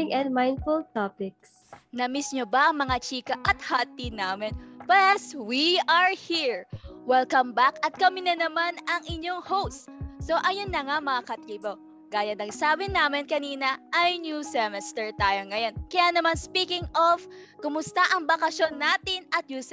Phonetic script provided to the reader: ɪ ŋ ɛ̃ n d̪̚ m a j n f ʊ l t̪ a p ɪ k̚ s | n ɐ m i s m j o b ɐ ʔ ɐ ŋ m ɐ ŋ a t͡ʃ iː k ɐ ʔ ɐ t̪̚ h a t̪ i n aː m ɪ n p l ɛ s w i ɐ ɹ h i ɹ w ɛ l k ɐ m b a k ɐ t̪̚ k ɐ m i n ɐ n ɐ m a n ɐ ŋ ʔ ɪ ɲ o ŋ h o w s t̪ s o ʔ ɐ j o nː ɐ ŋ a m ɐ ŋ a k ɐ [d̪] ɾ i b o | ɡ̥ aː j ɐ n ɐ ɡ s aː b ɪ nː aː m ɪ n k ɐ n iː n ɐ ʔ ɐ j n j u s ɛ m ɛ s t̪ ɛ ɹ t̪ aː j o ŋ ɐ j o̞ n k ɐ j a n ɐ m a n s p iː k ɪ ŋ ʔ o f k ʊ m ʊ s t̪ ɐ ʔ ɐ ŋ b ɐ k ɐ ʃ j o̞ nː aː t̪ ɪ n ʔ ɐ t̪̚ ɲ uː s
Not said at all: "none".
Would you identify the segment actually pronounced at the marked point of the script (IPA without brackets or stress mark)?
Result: t̪